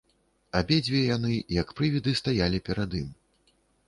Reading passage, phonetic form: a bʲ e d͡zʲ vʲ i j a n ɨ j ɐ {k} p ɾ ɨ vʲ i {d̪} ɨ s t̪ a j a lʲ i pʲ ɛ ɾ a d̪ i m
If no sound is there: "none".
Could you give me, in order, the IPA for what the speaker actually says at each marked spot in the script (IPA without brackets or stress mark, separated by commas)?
k, d̪